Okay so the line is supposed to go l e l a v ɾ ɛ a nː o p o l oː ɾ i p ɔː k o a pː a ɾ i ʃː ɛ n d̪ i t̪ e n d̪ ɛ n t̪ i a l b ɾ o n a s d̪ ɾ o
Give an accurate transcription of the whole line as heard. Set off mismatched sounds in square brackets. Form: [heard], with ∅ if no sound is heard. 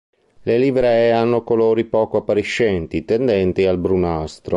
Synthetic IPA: l e l [i] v ɾ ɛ a nː o [k] o l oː ɾ i p ɔː k o a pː a ɾ i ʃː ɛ n [t̪] i t̪ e n d̪ ɛ n t̪ i a l b ɾ [u] n a s [t̪] ɾ o